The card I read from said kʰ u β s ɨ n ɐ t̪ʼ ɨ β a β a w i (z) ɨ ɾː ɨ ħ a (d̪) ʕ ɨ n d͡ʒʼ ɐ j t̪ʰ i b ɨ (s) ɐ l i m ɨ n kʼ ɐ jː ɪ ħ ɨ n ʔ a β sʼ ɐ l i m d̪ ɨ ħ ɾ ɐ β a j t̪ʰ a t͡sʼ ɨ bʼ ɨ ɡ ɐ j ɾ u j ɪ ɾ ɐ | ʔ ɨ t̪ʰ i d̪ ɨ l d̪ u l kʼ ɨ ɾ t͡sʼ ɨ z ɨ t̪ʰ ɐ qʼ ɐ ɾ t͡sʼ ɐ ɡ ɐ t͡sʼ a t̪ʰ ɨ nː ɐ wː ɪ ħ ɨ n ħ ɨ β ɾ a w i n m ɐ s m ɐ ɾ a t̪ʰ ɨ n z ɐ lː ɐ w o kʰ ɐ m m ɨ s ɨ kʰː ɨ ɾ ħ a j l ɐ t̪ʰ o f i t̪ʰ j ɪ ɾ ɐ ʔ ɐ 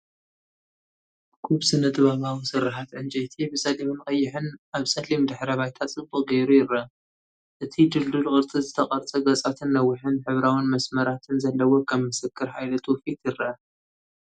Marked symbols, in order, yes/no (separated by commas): no, no, yes